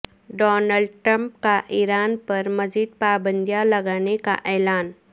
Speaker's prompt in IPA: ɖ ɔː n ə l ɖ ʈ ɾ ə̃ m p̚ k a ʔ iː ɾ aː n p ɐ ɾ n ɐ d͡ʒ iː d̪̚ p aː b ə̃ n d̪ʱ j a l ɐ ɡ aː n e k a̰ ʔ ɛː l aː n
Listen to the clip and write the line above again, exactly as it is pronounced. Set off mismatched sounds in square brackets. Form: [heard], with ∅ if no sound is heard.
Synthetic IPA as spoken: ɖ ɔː n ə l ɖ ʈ ɾ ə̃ m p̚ k a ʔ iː ɾ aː n p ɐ ɾ [m] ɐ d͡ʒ iː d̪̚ p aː b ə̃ n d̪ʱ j a l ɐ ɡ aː n e k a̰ ʔ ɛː l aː n